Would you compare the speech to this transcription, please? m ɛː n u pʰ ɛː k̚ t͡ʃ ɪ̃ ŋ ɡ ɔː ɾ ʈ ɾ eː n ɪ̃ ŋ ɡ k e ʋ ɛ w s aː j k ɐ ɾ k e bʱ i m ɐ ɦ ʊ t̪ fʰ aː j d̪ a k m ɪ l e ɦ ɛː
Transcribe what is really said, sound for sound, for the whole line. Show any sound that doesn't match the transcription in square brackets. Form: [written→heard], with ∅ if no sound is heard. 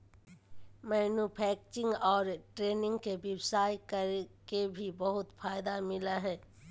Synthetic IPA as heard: m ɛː n u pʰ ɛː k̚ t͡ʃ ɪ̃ ŋ ɡ ɔː ɾ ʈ ɾ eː n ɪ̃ ŋ ɡ k e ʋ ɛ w s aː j k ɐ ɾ k e bʱ i [m→b] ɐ ɦ ʊ t̪ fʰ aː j d̪ a [k→∅] m ɪ l [e→a] ɦ ɛː

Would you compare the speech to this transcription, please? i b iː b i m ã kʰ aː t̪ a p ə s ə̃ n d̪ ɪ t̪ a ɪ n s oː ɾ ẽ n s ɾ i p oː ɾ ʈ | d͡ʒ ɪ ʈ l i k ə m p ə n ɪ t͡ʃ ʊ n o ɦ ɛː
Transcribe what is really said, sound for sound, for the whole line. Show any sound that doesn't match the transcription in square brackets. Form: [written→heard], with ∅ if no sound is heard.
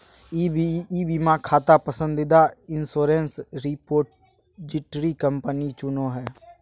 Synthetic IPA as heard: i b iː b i m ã kʰ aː t̪ a p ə s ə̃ n d̪ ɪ [t̪→d̪] a ɪ n s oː ɾ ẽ n s ɾ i p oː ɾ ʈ | d͡ʒ ɪ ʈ [l→ɾ] i k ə m p ə n [ɪ→i] t͡ʃ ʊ n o ɦ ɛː

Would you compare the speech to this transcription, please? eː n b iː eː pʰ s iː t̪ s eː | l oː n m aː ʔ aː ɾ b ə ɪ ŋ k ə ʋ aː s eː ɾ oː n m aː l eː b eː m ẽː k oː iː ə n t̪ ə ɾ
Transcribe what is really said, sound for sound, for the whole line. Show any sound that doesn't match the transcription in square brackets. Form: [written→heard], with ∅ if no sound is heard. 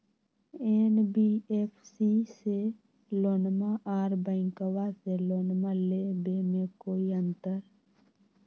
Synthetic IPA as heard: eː n b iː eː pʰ s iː [t̪→∅] s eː | l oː n m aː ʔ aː ɾ b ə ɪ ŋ k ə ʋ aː s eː [ɾ→l] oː n m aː l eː b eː m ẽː k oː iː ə n t̪ ə ɾ

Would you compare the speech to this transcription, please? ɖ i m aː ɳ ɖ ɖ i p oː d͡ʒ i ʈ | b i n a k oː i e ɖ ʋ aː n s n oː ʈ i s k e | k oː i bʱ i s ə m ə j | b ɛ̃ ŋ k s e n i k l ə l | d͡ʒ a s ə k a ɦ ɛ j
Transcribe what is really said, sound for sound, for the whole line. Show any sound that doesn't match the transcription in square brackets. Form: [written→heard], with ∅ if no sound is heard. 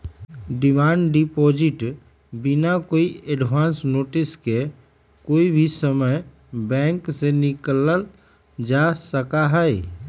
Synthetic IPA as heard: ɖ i m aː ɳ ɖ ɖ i p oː d͡ʒ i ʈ | b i n a k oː i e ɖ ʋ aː n s n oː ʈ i s k e | k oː i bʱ i s ə m ə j | b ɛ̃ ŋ k s e n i k l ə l | d͡ʒ a s ə k a ɦ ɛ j

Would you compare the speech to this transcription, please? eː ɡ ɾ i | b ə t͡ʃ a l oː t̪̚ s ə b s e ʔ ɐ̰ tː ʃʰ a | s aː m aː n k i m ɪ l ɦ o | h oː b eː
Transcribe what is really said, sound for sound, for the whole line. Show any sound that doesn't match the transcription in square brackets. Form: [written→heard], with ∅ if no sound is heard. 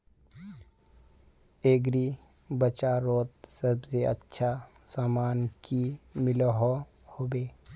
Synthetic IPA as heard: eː ɡ ɾ i | b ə t͡ʃ a [l→ɾ] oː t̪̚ s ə b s e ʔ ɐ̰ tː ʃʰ a | s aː m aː n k i m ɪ l ɦ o | h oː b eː

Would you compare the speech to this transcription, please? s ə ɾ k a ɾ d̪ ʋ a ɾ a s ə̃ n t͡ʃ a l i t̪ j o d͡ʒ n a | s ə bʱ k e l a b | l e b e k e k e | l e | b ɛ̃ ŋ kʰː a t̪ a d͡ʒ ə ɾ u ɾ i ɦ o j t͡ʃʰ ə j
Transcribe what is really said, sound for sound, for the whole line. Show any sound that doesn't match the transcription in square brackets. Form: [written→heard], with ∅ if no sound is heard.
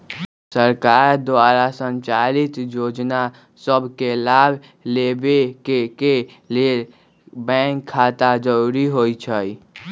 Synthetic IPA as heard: s ə ɾ k a ɾ d̪ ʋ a ɾ a s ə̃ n t͡ʃ a l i t̪ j o d͡ʒ n a | s ə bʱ k e l a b | l e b e k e k e | l e | b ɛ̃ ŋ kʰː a t̪ a d͡ʒ ə ɾ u ɾ i ɦ o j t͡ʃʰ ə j

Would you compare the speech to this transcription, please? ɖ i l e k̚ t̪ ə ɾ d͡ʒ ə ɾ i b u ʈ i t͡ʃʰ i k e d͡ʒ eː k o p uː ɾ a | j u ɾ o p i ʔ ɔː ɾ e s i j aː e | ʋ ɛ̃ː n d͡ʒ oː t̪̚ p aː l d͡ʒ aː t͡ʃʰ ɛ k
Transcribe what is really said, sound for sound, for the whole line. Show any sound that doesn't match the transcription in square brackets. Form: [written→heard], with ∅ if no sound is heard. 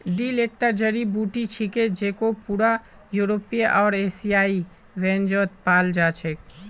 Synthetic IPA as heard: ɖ i l e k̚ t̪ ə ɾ d͡ʒ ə ɾ i b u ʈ i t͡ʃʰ i k e d͡ʒ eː k o p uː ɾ a | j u ɾ o p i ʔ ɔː ɾ e s i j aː [e→i] | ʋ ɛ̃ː n d͡ʒ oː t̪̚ p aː l d͡ʒ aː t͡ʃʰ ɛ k

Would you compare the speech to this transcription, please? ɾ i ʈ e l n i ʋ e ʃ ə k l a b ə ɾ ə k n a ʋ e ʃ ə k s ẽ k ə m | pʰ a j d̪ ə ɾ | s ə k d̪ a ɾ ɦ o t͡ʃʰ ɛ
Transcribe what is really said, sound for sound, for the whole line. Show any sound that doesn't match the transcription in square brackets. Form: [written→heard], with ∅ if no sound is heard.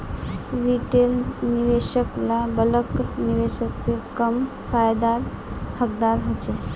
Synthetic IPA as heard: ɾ i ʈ e l n i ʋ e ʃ ə k l a b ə [ɾ→l] ə k n [a→i] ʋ e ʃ ə k s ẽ k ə m | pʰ a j d̪ [ə→a] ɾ | [s→h] ə k d̪ a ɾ ɦ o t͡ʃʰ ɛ

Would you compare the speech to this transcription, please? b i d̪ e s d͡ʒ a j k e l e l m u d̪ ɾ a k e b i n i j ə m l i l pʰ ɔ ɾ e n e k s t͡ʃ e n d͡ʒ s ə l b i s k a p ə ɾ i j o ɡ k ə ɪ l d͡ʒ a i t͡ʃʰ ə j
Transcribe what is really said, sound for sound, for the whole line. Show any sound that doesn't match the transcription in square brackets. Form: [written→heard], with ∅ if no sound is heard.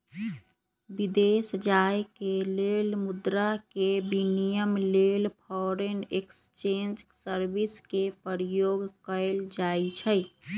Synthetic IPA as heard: b i d̪ e s d͡ʒ a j k e l e l m u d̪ ɾ a k e b i n i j ə m l [i→e] l pʰ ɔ ɾ e n e k s t͡ʃ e n d͡ʒ s ə [l→ɾ] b i s k [a→e] p ə ɾ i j o ɡ k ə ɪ l d͡ʒ a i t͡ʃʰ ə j

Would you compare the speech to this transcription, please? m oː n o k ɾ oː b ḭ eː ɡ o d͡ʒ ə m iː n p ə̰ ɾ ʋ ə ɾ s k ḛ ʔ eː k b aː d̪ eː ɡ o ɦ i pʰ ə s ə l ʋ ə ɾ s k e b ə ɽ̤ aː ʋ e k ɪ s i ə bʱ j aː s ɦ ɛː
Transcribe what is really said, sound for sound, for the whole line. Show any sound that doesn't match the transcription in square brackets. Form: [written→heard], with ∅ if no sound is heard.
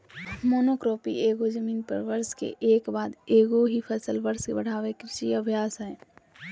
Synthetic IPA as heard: m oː n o k ɾ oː [b→p] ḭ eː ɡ o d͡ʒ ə m iː n p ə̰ ɾ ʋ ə ɾ s k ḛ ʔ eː k b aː d̪ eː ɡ o ɦ i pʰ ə s ə l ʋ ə ɾ s k e b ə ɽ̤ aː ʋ e k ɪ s i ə bʱ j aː s ɦ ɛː

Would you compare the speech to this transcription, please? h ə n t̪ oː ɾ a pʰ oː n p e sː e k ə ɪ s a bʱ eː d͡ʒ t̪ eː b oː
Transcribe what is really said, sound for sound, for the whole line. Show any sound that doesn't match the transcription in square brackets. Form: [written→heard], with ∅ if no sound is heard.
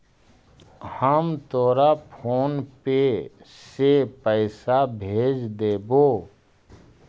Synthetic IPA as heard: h ə [n→m] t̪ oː ɾ a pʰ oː n p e [sː→s] e [k→p] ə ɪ s a bʱ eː d͡ʒ [t̪→d̪] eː b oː

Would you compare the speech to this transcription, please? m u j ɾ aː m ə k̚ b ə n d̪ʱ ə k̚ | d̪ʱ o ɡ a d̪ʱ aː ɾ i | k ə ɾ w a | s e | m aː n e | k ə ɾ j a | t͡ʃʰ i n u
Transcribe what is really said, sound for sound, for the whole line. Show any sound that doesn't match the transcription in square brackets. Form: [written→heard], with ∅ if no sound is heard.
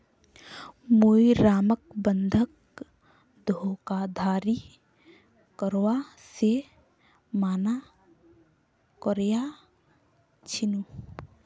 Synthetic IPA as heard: m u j ɾ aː m ə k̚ b ə n d̪ʱ ə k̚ | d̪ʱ o [ɡ→k] a d̪ʱ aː ɾ i | k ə ɾ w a | s e | m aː n [e→a] | k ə ɾ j a | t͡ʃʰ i n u

